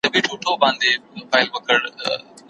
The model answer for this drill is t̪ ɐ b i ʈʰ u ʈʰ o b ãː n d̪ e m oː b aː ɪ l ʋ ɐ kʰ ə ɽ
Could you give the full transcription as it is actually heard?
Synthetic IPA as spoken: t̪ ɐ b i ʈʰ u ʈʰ o b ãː n d̪ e m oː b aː ɪ l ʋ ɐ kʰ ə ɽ